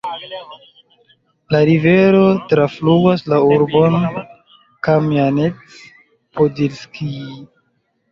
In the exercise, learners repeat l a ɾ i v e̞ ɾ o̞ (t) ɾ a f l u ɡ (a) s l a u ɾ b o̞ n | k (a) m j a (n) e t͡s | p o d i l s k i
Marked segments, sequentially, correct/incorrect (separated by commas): correct, correct, correct, correct